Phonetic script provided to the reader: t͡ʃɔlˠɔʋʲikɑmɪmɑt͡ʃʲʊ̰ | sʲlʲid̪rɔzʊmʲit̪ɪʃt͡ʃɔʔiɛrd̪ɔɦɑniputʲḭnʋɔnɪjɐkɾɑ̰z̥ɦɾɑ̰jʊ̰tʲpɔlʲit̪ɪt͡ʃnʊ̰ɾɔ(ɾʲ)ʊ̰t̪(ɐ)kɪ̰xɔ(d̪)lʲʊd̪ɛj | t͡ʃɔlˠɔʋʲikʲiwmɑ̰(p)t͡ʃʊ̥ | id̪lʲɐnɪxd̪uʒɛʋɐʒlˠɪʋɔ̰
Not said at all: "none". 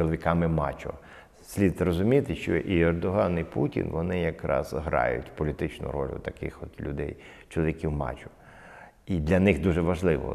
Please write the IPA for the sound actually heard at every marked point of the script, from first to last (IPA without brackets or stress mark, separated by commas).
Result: lʲ, ɐ, t̪, none